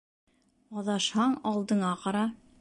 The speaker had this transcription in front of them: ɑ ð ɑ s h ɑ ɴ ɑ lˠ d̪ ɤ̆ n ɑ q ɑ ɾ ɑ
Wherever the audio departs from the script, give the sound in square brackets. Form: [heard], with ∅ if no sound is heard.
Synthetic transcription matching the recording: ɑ ð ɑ [ʃ] h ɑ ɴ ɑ lˠ d̪ ɤ̆ [ɴ] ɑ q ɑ ɾ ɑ